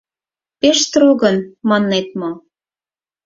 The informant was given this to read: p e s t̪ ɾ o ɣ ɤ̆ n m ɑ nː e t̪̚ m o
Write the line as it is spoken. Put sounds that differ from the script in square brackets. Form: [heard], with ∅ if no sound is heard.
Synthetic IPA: p e [ʃ] t̪ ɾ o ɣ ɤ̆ n m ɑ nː e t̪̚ m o